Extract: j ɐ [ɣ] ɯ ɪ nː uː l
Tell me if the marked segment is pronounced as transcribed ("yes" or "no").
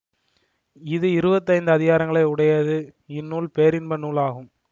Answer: no